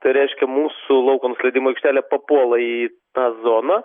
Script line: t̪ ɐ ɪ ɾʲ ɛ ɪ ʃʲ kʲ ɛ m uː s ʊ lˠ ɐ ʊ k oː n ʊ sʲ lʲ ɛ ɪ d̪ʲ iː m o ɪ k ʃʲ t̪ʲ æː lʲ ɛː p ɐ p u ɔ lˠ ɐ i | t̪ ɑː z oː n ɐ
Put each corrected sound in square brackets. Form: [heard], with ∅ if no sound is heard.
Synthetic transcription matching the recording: t̪ ɐ ɪ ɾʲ ɛ ɪ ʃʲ kʲ ɛ m uː s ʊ lˠ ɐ ʊ k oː n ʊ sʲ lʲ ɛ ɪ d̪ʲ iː m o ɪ k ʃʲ t̪ʲ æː lʲ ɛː p ɐ p u ɔ lˠ ɐ i | t̪ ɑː z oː n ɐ